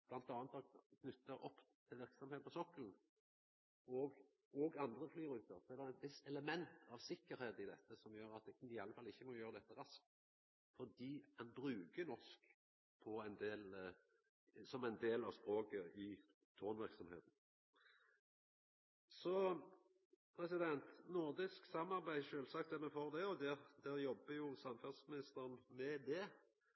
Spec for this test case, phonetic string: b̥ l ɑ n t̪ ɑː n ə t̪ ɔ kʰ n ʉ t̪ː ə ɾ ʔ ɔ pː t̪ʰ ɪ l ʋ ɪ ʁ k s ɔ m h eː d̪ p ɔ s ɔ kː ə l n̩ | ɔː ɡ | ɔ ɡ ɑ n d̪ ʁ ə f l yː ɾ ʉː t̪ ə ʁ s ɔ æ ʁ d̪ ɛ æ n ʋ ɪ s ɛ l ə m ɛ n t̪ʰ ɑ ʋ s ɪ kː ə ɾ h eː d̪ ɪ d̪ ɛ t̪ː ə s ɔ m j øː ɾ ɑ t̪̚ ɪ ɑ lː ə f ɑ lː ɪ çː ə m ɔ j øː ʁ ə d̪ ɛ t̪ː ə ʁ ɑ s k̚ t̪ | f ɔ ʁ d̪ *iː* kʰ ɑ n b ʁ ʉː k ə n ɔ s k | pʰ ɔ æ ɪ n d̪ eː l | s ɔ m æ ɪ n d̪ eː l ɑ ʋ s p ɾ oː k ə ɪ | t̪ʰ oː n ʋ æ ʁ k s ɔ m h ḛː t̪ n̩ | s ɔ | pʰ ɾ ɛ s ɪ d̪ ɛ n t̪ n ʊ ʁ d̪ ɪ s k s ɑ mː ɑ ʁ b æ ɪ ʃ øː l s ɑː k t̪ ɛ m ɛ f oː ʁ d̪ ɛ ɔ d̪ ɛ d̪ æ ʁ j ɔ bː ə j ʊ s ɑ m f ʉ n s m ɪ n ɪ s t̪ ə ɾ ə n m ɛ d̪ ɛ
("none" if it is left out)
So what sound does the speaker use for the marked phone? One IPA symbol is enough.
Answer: iː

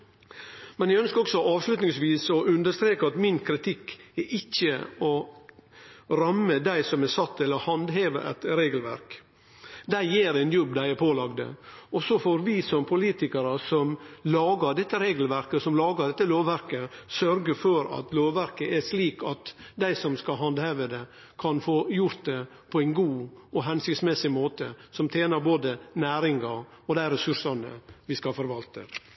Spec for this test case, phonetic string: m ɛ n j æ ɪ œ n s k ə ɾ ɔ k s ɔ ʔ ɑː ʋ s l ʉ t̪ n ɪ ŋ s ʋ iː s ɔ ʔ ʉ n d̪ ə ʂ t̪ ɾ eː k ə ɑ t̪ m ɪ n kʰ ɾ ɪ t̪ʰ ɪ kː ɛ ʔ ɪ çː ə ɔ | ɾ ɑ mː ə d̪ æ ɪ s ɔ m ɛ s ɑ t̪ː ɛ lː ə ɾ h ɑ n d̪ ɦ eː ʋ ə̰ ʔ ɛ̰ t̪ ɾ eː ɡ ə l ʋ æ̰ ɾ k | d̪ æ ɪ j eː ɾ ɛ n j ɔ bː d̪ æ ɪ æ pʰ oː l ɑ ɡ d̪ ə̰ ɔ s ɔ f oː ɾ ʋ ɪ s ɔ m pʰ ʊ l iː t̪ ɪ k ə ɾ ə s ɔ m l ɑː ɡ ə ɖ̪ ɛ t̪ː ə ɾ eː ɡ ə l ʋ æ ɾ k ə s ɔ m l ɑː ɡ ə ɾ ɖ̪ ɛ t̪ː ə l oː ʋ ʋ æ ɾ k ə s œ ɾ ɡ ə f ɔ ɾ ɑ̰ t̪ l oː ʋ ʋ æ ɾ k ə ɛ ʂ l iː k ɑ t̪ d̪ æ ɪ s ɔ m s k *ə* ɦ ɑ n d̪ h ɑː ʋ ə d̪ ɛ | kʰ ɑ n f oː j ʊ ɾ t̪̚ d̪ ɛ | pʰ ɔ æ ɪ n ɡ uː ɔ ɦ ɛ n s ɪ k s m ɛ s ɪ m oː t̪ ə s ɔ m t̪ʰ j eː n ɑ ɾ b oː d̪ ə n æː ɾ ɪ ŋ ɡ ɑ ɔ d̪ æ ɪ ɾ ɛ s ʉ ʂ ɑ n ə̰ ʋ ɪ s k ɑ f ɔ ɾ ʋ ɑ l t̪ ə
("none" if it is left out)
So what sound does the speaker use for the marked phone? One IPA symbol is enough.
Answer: ɑ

